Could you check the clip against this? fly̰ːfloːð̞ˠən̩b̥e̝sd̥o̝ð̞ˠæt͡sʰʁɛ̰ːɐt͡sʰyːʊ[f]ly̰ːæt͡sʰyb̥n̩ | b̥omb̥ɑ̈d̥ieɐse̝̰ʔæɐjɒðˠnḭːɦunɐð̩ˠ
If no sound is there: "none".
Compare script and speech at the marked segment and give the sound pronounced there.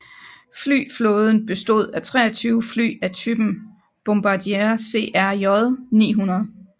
f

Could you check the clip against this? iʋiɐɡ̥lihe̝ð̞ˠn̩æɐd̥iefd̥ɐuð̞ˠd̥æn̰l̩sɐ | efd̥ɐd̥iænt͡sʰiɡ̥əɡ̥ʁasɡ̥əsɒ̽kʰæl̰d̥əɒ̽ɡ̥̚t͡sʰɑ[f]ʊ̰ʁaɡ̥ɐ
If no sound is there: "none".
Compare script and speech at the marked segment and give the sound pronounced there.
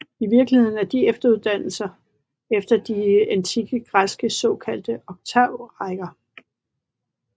none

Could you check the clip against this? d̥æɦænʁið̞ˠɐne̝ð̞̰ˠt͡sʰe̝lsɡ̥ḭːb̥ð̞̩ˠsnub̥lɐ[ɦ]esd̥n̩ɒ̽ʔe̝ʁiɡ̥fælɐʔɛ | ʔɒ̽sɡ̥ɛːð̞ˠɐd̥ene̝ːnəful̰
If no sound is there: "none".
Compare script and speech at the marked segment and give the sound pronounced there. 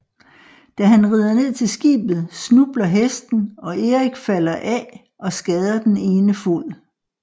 ɦ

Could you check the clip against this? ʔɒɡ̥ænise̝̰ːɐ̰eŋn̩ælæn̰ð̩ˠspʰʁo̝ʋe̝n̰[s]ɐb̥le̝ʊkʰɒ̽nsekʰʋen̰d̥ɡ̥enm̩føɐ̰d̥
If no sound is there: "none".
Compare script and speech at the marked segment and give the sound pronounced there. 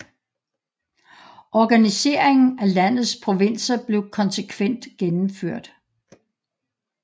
s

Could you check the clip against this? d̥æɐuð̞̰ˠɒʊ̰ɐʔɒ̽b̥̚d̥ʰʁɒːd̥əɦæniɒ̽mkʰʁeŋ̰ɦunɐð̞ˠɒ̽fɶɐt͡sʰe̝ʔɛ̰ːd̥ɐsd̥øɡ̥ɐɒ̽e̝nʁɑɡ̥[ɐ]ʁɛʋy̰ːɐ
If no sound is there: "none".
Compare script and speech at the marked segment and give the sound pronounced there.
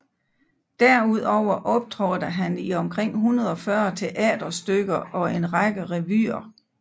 ə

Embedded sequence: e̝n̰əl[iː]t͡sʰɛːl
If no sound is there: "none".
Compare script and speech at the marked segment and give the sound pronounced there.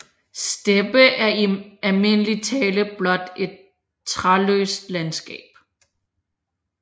i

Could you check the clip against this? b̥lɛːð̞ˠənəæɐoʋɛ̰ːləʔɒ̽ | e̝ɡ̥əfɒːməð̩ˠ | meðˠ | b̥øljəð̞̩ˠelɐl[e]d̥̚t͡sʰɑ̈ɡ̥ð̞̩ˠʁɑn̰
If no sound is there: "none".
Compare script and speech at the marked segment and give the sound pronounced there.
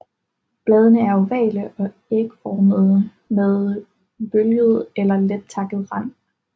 e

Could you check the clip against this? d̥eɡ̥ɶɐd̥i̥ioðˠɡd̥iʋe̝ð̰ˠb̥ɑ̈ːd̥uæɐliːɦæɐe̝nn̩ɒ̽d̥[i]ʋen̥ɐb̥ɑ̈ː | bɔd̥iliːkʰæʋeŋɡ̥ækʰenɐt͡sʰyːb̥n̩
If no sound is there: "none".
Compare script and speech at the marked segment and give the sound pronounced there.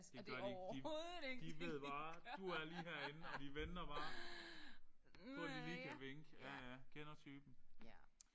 i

